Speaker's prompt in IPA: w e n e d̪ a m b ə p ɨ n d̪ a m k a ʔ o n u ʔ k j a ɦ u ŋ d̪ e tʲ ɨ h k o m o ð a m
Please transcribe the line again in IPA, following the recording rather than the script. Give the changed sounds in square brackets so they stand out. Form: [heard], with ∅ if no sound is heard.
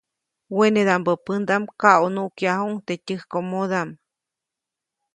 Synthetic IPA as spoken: w e n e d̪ a m b ə p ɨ n d̪ a m k a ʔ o n u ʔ k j a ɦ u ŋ [t̪] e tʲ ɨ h k o m o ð a m